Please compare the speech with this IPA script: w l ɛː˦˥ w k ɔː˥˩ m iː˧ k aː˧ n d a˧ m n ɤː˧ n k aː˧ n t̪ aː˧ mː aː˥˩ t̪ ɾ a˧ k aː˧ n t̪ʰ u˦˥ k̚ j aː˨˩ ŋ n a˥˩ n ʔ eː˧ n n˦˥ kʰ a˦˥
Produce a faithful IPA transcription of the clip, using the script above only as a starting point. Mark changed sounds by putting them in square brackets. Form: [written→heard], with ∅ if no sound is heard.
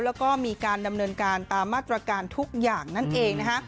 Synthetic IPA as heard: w l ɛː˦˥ w k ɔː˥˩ m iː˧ k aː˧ n d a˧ m n ɤː˧ n k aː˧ n t̪ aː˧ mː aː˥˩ t̪ ɾ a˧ k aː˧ n t̪ʰ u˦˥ k̚ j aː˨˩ ŋ n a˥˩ n ʔ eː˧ [n→ŋ] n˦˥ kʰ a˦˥